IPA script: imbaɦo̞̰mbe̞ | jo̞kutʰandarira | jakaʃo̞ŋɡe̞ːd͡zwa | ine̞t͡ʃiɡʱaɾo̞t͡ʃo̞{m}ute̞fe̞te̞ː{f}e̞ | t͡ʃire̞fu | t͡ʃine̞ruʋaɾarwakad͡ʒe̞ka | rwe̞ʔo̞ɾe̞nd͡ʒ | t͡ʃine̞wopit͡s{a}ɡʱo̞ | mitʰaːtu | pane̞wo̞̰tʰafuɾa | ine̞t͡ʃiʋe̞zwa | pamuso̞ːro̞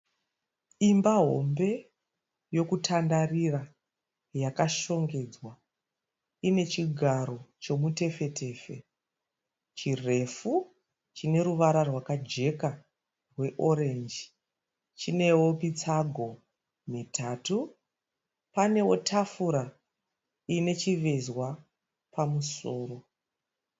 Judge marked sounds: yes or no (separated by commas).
yes, yes, yes